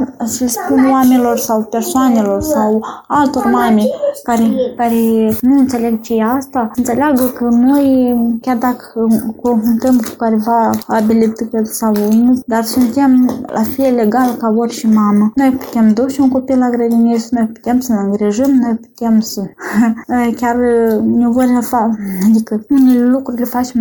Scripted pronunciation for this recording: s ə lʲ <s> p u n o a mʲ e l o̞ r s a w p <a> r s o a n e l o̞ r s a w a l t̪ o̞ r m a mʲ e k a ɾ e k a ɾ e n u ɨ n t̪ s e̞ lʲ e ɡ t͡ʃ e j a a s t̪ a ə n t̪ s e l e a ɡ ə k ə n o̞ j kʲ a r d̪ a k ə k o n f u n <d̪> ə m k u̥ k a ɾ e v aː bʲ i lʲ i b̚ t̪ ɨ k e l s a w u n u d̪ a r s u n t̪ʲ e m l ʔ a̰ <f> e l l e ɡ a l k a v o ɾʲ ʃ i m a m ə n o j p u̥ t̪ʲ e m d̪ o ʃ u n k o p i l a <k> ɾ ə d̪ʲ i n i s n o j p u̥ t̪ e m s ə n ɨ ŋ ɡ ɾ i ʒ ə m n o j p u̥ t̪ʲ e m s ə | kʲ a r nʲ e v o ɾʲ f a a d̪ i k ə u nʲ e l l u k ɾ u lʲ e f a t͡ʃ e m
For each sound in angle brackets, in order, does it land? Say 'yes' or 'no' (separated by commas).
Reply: yes, no, no, yes, no